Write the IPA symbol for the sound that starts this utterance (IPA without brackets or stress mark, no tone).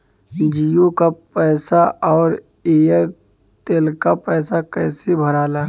d͡ʒ